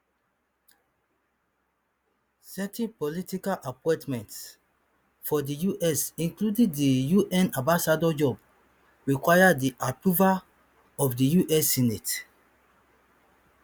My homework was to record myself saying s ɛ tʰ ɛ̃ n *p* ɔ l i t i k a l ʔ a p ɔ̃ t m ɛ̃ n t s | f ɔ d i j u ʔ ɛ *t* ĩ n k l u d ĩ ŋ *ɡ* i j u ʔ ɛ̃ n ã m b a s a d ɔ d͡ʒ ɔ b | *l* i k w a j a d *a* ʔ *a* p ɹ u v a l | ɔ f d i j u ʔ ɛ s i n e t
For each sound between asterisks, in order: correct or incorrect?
correct, incorrect, incorrect, incorrect, incorrect, correct

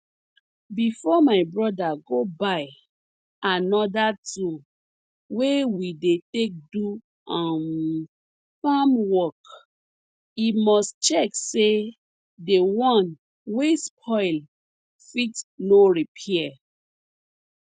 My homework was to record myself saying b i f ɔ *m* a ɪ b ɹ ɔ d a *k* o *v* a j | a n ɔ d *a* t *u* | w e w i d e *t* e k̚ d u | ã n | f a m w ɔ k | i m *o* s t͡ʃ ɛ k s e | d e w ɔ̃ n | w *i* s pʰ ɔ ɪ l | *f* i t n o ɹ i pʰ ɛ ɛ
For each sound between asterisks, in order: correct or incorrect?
correct, incorrect, incorrect, correct, correct, correct, incorrect, incorrect, correct

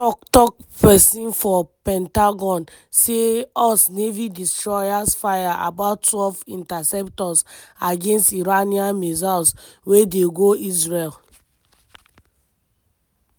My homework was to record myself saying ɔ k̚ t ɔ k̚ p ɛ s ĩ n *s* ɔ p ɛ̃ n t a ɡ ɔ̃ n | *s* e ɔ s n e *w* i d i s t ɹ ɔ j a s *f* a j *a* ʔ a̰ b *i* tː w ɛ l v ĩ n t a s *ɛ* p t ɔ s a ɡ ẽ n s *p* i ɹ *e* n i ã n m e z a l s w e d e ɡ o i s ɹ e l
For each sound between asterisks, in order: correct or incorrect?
incorrect, correct, incorrect, correct, correct, incorrect, correct, incorrect, incorrect

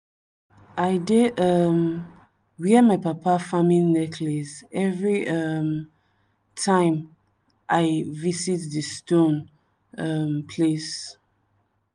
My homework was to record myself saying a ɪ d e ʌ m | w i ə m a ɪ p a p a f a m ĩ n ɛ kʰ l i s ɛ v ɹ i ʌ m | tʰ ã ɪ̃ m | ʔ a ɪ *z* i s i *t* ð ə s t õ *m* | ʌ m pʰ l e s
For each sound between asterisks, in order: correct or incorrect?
incorrect, correct, incorrect

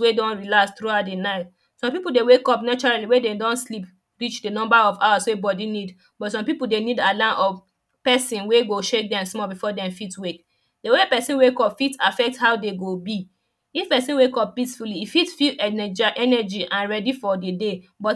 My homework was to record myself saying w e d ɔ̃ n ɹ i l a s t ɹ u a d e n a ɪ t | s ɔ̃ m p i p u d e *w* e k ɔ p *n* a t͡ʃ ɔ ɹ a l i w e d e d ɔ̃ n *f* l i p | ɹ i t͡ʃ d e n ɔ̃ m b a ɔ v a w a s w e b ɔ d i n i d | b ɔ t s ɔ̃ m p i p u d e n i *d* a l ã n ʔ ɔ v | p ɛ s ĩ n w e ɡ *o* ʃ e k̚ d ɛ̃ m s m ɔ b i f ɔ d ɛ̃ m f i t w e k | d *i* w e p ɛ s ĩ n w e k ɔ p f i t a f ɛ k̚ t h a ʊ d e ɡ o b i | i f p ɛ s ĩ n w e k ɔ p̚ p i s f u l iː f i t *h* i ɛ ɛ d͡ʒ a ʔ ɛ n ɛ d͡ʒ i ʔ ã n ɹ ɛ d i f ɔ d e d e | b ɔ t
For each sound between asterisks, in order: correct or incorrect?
correct, correct, incorrect, correct, correct, incorrect, incorrect

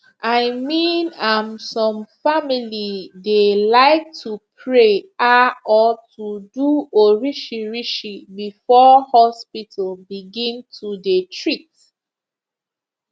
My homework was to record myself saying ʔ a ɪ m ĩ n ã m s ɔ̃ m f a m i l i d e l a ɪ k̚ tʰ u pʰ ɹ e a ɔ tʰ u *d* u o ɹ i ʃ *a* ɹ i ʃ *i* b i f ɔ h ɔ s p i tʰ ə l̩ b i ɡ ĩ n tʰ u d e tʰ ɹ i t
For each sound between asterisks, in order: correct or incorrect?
correct, incorrect, correct

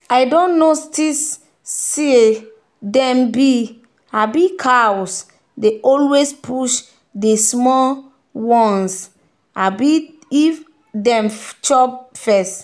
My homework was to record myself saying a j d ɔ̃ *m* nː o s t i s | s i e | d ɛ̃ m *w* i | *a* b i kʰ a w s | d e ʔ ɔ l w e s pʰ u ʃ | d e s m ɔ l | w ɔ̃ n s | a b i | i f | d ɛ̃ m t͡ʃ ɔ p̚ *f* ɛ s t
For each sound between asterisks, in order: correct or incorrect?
incorrect, incorrect, correct, correct

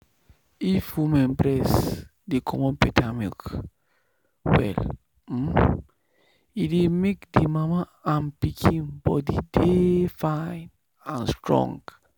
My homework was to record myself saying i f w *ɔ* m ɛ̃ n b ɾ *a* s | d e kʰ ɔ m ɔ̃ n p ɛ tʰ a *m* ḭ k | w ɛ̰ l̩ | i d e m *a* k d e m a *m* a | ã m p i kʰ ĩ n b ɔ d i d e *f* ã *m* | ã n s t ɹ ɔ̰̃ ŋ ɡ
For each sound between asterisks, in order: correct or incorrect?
incorrect, incorrect, correct, incorrect, correct, correct, incorrect

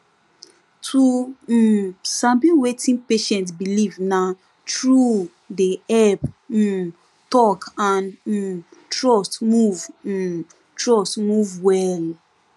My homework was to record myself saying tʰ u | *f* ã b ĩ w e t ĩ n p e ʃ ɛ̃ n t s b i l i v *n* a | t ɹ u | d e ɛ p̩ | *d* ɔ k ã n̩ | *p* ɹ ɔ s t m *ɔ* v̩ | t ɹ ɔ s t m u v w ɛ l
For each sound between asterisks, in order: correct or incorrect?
incorrect, correct, incorrect, incorrect, incorrect

